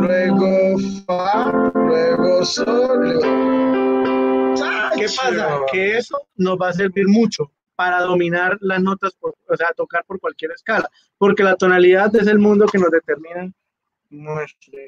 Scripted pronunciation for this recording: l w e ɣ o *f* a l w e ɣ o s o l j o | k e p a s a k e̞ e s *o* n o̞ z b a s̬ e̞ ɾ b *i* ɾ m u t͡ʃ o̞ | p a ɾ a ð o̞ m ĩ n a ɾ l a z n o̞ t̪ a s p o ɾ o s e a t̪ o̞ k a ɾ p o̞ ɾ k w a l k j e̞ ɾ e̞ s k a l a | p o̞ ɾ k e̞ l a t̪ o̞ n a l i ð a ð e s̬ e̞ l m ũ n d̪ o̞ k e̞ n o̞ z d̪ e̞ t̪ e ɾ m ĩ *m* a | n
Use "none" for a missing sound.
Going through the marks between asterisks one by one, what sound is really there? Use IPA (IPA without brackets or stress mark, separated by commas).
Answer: f, o, i, n